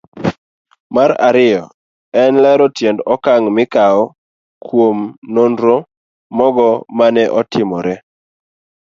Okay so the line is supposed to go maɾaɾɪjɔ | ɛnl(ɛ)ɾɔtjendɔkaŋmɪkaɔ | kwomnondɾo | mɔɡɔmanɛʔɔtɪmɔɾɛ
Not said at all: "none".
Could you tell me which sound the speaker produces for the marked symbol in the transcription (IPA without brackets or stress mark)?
ɛ